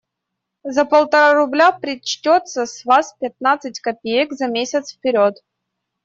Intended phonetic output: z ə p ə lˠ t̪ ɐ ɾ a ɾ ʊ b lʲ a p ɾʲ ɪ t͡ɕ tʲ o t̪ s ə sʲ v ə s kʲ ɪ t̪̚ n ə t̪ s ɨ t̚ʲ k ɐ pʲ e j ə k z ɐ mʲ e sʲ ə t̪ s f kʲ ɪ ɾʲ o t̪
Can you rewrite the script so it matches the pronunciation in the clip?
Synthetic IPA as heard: z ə p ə lˠ t̪ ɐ ɾ a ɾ ʊ b lʲ a p ɾʲ ɪ t͡ɕ tʲ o t̪ s ə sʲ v a s pʲ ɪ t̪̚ n a t̪ s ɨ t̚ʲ k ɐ pʲ e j ə k z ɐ mʲ e sʲ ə t̪ s f pʲ ɪ ɾʲ o t̪